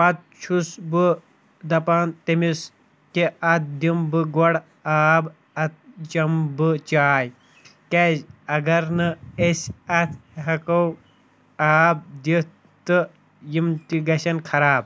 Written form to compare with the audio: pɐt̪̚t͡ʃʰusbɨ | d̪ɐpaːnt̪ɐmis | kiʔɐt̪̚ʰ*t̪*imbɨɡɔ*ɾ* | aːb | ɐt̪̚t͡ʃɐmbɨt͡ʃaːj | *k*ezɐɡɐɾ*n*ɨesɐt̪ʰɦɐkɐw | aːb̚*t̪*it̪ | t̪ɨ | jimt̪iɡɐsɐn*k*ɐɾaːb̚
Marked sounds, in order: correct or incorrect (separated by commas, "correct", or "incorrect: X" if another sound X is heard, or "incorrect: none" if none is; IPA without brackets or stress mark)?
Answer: incorrect: d̪, incorrect: ɽ, correct, correct, incorrect: d̪, incorrect: kʰ